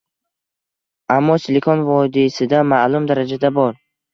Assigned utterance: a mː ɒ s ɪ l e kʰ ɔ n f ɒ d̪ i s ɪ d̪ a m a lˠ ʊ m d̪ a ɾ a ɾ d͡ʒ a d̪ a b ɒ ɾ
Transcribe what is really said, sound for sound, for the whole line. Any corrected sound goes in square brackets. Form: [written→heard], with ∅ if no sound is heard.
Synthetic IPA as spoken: a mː ɒ s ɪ l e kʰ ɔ n [f→v] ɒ d̪ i s ɪ d̪ a m a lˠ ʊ m d̪ a ɾ a [ɾ→∅] d͡ʒ a d̪ a b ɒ ɾ